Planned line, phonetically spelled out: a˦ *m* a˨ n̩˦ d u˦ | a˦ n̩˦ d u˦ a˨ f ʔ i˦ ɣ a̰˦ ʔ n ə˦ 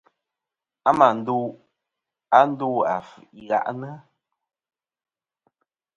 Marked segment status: correct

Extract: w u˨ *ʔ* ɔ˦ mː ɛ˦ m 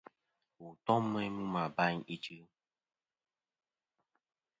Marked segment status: incorrect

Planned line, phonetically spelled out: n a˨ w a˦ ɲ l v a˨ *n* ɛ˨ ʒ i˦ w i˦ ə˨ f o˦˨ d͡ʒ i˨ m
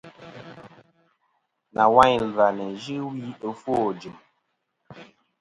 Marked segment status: correct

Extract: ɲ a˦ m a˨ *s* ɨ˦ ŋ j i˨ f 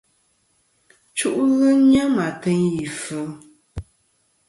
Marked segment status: incorrect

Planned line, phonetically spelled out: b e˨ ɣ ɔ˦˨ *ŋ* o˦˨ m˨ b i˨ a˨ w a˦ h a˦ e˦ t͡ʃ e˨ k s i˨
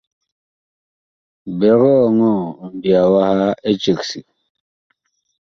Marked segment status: correct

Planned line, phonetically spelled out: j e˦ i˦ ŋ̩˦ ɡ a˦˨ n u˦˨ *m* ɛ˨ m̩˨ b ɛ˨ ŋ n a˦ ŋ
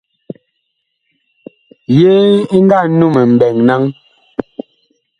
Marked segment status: correct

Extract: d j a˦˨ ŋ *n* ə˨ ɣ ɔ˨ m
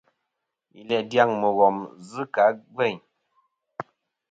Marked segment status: incorrect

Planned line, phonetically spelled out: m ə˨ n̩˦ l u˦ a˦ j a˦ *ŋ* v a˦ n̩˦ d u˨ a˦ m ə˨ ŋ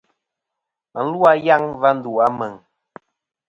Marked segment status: correct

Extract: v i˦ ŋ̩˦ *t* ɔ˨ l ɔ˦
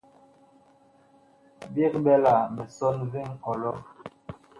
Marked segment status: incorrect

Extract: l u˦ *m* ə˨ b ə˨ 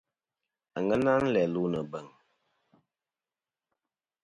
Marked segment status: incorrect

